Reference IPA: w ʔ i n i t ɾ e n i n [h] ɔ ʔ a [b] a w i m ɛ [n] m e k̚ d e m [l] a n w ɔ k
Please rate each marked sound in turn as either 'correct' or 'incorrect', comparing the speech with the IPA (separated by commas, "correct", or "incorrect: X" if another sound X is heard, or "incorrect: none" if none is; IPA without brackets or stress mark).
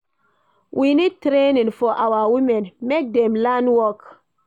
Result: incorrect: f, incorrect: w, correct, correct